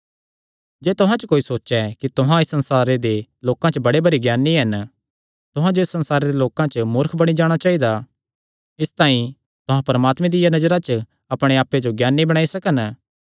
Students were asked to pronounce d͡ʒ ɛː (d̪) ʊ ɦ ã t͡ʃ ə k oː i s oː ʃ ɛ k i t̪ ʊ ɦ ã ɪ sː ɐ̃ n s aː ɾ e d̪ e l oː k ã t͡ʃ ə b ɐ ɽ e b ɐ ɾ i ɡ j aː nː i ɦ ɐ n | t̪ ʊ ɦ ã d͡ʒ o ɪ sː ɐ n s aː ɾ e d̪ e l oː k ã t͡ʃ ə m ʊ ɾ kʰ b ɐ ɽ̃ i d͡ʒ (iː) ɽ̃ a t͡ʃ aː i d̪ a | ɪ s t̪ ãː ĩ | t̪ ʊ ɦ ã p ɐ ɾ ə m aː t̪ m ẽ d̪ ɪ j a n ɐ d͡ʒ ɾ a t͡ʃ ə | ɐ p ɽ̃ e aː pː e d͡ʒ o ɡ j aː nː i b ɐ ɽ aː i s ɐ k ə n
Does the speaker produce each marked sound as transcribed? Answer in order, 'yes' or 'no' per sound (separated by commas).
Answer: no, no